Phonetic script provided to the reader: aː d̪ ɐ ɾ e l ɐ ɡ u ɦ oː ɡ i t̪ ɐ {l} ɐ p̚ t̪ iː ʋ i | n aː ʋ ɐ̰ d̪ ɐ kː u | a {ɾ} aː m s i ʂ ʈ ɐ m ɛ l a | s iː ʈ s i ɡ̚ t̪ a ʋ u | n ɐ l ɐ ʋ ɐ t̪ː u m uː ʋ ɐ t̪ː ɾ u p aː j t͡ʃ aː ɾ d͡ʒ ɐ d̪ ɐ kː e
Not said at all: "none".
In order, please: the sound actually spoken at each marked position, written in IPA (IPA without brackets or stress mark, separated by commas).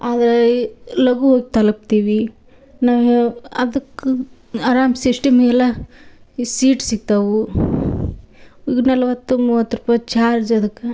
l, ɾ